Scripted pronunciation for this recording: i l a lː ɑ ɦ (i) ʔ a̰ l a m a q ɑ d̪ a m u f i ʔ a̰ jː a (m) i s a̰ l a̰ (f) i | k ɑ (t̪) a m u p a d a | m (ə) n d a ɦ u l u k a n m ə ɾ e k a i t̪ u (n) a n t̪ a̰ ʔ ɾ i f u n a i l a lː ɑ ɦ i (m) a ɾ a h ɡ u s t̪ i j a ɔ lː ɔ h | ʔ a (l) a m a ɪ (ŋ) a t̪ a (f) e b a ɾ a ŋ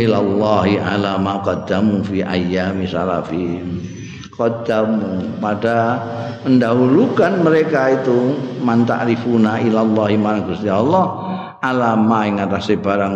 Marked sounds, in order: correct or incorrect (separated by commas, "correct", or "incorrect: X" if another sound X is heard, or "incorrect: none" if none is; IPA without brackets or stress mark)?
correct, correct, correct, incorrect: d̪, correct, incorrect: m, correct, correct, correct, incorrect: s